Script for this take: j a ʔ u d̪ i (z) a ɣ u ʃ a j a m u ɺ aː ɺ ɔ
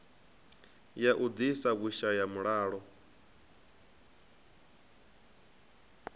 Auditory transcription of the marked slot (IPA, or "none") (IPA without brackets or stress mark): s